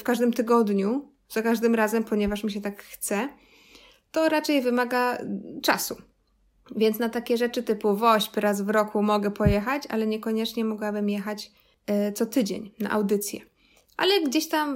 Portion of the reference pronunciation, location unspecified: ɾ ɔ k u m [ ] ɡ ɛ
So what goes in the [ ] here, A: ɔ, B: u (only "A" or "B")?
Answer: A